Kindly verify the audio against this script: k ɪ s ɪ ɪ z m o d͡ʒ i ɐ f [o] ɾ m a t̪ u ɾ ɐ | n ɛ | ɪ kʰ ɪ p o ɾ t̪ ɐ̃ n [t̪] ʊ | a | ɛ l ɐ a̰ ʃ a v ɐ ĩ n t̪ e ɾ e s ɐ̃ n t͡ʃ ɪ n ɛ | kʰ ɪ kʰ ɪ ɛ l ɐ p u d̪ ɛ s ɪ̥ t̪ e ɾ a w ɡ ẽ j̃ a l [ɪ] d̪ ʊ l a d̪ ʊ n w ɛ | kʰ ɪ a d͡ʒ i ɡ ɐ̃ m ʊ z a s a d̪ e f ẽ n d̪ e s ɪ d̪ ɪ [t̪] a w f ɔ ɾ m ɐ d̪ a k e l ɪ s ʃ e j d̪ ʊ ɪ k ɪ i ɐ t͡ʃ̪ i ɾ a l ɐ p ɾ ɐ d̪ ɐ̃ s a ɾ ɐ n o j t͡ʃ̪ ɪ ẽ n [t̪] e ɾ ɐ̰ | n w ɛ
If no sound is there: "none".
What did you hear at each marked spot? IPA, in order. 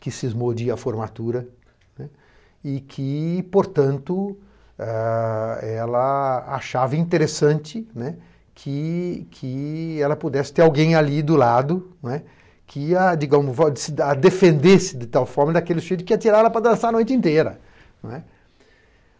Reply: o, t̪, i, t̪, t̪

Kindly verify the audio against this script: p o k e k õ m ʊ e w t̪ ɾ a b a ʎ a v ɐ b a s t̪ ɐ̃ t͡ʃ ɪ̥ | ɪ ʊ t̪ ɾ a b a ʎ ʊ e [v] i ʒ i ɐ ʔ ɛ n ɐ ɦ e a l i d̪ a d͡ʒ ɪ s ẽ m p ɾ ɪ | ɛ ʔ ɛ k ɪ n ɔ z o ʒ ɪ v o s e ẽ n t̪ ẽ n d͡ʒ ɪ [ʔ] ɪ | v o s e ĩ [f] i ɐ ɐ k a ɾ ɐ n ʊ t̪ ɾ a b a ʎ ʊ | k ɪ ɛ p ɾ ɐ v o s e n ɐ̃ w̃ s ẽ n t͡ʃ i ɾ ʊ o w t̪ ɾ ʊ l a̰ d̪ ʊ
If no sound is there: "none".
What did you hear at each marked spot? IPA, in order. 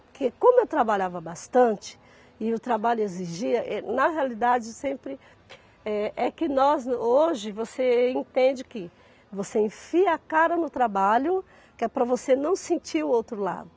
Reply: z, k, f

